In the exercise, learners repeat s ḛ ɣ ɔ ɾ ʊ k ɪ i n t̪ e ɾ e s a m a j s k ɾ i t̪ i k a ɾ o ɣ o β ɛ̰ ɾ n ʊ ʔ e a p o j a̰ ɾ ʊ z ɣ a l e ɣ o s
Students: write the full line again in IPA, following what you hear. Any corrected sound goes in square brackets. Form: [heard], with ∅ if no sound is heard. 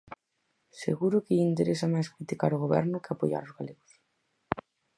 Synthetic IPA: s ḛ ɣ [u] ɾ ʊ k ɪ i n t̪ e ɾ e s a m a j s k ɾ i t̪ i k a ɾ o ɣ o β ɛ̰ ɾ n ʊ [k] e a p o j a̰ ɾ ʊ z ɣ a l e ɣ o s